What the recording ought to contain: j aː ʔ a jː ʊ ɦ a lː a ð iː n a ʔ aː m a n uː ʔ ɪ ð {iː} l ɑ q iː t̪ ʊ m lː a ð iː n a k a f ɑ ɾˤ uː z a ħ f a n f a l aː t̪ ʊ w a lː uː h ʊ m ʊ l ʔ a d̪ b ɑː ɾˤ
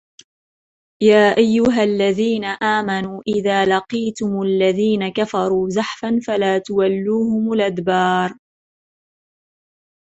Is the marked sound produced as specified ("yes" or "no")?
no